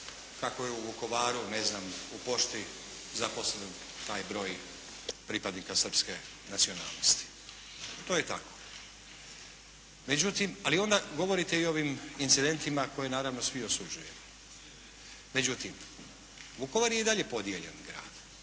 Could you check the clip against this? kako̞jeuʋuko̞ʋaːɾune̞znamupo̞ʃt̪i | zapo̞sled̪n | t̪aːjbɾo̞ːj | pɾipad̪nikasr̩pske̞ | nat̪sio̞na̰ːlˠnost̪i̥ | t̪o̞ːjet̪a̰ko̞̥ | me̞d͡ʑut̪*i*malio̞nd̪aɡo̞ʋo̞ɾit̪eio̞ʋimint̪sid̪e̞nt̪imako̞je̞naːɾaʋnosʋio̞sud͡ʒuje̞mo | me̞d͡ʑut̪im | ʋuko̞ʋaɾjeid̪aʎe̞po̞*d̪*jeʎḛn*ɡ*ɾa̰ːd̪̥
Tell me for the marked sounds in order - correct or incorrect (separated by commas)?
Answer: correct, correct, correct